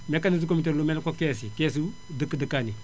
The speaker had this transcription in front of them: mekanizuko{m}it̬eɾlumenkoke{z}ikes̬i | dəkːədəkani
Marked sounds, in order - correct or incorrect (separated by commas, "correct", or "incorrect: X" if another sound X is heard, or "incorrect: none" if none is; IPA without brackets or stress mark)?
correct, incorrect: s